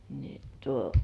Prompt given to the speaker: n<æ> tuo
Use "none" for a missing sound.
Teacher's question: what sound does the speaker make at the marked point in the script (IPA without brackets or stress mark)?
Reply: i